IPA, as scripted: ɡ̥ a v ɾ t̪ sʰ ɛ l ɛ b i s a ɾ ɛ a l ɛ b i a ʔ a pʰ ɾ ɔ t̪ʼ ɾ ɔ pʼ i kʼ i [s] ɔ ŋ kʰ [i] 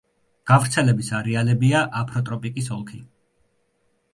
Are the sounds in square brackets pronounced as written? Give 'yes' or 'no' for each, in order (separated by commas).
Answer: yes, yes